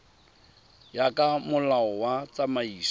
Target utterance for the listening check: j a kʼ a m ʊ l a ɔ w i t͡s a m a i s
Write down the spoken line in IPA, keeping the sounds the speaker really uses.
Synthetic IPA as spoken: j a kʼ a m ʊ l a ɔ w a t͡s a m a iː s